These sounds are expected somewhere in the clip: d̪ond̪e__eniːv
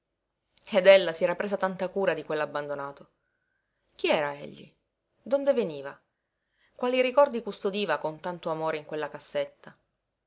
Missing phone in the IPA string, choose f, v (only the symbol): v